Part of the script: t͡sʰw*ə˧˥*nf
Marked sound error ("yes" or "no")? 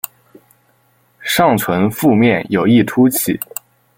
no